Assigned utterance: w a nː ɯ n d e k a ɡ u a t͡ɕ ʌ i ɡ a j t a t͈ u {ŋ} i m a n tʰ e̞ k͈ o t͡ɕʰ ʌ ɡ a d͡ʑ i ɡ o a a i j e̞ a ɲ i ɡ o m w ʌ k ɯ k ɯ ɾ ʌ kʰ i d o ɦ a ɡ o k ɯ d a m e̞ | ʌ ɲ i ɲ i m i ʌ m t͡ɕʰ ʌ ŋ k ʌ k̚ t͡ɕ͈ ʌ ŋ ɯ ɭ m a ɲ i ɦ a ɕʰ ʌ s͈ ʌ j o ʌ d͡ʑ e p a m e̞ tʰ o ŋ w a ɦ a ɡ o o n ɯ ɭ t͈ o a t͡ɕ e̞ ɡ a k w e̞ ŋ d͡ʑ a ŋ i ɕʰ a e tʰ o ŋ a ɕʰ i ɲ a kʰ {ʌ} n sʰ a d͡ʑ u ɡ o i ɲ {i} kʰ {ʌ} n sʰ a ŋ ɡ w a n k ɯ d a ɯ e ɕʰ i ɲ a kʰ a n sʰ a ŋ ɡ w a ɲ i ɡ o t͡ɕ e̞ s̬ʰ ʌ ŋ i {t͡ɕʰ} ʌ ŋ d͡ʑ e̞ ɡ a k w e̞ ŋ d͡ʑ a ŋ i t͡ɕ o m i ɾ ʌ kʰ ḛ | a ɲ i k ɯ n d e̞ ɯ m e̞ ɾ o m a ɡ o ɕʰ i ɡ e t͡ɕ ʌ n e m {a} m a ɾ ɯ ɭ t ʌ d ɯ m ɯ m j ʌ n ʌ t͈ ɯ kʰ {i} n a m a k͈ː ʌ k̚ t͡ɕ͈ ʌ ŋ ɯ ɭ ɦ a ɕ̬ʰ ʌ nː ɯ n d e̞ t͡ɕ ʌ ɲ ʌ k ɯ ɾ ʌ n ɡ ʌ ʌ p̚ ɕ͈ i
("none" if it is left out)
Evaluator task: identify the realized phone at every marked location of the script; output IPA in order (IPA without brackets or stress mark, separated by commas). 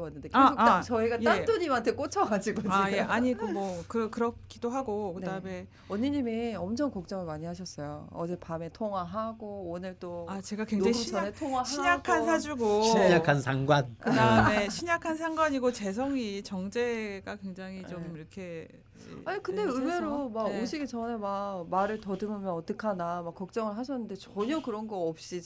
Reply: ɲ, a, a, a, t͡ɕ, a, a